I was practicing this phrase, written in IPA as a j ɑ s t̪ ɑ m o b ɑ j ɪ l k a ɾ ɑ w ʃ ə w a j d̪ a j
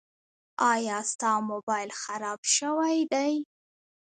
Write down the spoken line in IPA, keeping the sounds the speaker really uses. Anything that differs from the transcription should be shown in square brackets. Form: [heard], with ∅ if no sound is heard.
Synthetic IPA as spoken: [ɑ] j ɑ s t̪ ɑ m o b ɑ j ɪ l [x] a ɾ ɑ [b] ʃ ə w a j d̪ a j

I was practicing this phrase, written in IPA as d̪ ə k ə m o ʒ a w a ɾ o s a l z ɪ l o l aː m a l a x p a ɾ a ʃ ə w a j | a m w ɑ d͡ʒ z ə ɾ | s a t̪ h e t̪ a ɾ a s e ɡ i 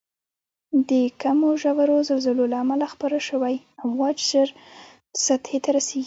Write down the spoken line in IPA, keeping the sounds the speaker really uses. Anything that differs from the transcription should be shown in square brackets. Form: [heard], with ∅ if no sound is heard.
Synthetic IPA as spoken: d̪ ə k [a] m o ʒ a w a ɾ o [z] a l z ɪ l o l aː m a l a x p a ɾ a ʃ ə w a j | a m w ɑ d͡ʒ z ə ɾ | s a t̪ h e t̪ a ɾ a s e ɡ i

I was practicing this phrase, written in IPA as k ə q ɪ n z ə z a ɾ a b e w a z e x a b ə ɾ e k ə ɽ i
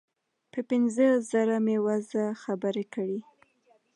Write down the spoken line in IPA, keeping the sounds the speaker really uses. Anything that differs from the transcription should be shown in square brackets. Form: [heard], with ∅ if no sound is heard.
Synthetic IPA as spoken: [p] ə [p] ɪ n z ə z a ɾ a [m] e w a z [a] x a b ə ɾ e k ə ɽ i

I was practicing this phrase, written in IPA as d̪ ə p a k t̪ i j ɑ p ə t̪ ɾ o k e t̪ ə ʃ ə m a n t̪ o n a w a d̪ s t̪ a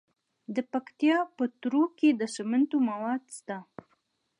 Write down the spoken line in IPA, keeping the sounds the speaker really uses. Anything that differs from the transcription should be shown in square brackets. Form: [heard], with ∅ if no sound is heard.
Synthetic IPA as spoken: d̪ ə p a k t̪ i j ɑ p ə t̪ ɾ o k e [d̪] ə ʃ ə m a n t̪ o [m] a w [ɑ] d̪ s t̪ a

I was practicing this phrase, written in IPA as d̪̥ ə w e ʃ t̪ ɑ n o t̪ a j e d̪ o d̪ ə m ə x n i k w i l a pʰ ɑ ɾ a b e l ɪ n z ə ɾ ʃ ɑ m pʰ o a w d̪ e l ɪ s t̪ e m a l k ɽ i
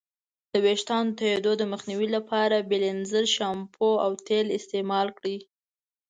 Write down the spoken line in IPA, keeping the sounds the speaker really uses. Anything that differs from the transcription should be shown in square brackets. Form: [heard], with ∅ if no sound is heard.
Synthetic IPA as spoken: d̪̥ ə w e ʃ t̪ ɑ n o t̪ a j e d̪ o d̪ ə m ə x n i [∅] w i l a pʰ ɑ ɾ a b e l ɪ n z ə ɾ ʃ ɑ m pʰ o a w [t̪] e l ɪ s t̪ e m [ɑ] l k ɽ i

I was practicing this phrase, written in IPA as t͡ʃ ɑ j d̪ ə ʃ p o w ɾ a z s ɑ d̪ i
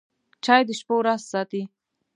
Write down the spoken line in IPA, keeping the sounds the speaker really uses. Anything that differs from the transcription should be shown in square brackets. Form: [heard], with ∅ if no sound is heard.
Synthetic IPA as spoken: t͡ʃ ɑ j d̪ ə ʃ p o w ɾ a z s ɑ [t̪] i

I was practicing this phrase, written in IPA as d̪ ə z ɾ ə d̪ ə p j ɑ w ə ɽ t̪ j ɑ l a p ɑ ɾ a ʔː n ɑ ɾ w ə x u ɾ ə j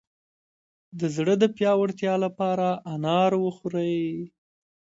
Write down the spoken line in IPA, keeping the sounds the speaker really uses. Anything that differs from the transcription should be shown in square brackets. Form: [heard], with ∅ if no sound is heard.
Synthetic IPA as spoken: d̪ ə z [ɽ] ə d̪ ə p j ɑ w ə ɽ t̪ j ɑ l a p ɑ ɾ a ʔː n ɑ ɾ w ə x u ɾ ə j

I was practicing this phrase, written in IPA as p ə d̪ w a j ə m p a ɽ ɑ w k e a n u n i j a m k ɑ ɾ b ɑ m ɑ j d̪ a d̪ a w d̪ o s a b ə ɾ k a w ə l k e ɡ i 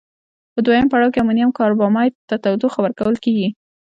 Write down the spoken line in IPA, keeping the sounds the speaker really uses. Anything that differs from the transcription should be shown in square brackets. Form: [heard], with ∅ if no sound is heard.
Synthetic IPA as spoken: p ə d̪ w a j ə m p a ɽ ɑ w k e a [m] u n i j a m k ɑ ɾ b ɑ m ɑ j [t̪] a [t̪] a w d̪ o [x] a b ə ɾ k a w ə l k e ɡ i

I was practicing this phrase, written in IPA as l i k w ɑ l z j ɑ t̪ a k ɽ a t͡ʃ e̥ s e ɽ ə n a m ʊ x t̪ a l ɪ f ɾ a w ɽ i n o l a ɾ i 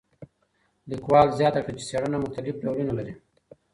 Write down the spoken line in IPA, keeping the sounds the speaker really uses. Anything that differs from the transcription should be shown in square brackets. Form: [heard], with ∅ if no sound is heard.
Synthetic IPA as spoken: l i k w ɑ l z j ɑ t̪ a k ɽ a t͡ʃ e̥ s e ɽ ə n a m ʊ x t̪ a l ɪ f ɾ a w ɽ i n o l a ɾ i

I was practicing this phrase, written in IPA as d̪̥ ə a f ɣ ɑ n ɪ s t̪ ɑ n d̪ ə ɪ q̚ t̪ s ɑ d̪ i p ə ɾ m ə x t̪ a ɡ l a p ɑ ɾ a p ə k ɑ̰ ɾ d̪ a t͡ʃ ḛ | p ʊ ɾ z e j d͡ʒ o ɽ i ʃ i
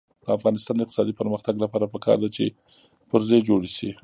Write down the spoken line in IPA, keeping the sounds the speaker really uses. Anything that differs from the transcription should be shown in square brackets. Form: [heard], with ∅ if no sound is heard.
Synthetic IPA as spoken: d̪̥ ə a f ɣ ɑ n ɪ s t̪ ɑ n d̪ ə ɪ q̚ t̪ s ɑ d̪ i p ə ɾ m ə x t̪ a ɡ l a p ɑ ɾ a p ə k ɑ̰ ɾ d̪ a t͡ʃ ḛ | p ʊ ɾ z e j d͡ʒ o ɽ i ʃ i

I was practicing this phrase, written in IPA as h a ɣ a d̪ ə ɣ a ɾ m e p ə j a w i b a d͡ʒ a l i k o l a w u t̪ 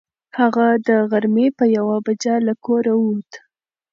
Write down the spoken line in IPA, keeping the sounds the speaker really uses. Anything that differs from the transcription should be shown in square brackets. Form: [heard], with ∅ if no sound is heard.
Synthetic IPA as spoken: h a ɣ a d̪ ə ɣ a ɾ m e p ə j a w [a] b a d͡ʒ a l [a] k o [ɾ] a w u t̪

